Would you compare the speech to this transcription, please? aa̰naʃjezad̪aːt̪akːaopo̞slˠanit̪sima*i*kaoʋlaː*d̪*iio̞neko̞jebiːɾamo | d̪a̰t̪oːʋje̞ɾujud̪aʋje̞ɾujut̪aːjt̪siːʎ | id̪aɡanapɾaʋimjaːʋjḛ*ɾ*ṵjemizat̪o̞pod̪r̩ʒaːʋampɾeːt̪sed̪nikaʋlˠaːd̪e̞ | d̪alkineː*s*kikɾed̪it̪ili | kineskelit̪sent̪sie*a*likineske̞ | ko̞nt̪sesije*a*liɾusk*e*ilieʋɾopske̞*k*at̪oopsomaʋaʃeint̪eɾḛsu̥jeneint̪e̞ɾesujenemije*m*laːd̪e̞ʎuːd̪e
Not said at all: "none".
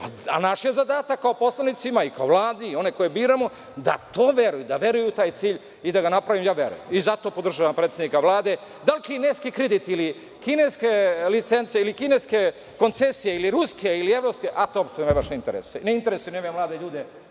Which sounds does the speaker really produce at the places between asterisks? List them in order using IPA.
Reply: i, d̪, ɾ, s, i, i, e, ʔ, m

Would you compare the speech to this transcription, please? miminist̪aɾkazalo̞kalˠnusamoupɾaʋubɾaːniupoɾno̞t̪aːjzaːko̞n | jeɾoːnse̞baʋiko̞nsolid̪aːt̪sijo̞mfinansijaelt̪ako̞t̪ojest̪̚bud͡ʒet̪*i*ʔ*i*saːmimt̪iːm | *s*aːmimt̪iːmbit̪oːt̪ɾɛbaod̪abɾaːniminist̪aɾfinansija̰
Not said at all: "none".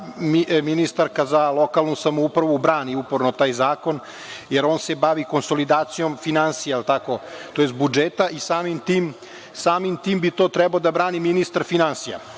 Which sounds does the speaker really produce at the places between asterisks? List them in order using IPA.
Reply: a, i, s

